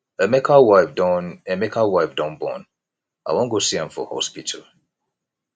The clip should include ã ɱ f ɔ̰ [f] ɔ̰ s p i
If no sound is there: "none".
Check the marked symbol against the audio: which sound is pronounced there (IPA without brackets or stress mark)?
h